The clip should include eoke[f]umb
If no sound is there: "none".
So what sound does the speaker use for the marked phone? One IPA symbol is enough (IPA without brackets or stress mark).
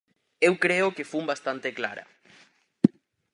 f